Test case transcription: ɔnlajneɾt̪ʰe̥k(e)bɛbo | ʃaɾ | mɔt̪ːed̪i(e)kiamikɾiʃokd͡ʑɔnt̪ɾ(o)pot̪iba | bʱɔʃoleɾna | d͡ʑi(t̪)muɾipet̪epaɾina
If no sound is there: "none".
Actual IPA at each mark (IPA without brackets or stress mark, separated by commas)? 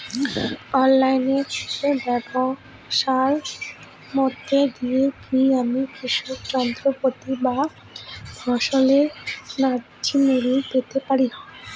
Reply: e, e, o, none